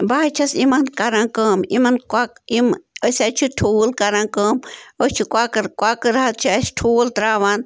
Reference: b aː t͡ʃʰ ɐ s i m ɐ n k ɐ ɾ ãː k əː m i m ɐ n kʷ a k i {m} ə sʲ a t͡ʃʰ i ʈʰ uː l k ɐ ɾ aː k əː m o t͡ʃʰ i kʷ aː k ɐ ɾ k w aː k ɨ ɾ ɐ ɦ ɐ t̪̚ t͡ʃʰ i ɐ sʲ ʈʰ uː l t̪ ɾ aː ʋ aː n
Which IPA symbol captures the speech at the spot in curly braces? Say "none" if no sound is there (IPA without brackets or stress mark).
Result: m